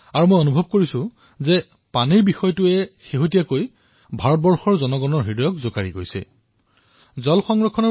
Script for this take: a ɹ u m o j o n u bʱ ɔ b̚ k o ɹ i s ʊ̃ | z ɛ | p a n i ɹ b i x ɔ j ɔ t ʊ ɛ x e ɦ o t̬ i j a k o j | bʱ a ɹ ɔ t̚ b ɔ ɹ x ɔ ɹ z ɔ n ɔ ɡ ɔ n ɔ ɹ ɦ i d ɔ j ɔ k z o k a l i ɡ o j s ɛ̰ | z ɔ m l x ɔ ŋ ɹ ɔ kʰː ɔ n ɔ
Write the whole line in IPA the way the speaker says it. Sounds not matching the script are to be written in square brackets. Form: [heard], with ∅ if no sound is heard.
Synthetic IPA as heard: a ɹ u m o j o n u bʱ ɔ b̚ k o ɹ i s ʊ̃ | z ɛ | p a n i ɹ b i x ɔ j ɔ t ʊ ɛ x e ɦ o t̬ i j a k o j | bʱ a ɹ ɔ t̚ b ɔ ɹ x ɔ ɹ z ɔ n ɔ ɡ ɔ n ɔ ɹ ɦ i d ɔ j ɔ k z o k a [ɹ] i ɡ o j s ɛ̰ | z ɔ [∅] l x ɔ ŋ ɹ ɔ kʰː ɔ n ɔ